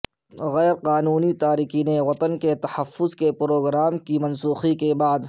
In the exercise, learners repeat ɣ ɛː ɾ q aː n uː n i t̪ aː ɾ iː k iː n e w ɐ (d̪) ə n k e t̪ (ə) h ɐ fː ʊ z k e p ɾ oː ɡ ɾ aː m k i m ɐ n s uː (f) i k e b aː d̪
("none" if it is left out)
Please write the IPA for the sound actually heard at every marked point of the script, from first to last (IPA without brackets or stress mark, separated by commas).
t̪, ɐ, x